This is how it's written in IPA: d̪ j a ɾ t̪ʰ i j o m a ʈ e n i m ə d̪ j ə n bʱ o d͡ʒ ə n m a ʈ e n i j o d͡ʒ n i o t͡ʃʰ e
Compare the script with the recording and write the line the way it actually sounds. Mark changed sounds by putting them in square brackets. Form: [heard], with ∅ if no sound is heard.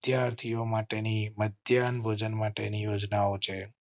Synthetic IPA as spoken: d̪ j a ɾ t̪ʰ i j o m a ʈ e n i m ə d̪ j [a] n bʱ o d͡ʒ ə n m a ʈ e n i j o d͡ʒ n [a] o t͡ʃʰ e